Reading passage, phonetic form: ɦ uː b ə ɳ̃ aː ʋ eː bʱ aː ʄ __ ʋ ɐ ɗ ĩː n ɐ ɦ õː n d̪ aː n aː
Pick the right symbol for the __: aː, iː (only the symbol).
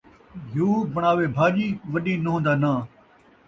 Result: iː